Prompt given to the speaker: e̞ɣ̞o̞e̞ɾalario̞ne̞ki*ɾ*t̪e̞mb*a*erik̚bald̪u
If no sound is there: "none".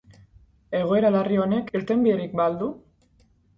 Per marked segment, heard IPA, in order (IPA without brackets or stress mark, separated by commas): ɾ, i